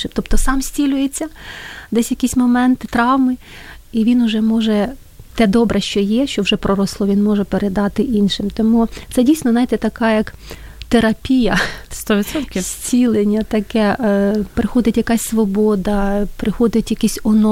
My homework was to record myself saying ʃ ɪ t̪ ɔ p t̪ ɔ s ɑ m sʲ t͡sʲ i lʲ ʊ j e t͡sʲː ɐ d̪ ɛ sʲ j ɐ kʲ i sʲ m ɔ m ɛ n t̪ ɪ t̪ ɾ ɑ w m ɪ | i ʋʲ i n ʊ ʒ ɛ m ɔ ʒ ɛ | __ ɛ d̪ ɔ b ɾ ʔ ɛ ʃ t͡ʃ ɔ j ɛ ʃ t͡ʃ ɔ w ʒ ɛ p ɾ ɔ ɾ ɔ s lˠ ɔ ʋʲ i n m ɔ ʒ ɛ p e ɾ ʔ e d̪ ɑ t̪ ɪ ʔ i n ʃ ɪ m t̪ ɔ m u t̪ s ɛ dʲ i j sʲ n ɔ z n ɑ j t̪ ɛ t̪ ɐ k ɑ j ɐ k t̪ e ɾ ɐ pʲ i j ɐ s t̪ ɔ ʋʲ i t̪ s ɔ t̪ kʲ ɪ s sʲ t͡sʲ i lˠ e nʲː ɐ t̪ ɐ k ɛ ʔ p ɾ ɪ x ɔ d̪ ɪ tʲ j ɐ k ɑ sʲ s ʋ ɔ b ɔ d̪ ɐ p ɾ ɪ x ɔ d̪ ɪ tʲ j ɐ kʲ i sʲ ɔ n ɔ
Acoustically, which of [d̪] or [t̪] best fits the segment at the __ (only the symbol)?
t̪